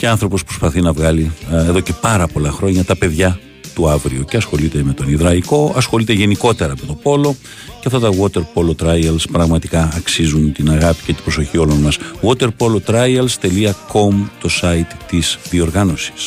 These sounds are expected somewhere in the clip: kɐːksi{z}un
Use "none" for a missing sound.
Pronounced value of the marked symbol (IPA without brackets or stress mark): z